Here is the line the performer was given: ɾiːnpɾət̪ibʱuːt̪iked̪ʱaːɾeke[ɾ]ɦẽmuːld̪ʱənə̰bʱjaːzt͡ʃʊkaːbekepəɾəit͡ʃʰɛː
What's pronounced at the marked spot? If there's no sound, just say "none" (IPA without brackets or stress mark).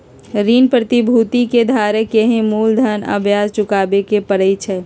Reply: none